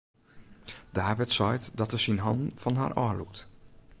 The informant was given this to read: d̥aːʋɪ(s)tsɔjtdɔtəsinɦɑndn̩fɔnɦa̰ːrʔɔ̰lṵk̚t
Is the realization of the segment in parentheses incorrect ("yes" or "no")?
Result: yes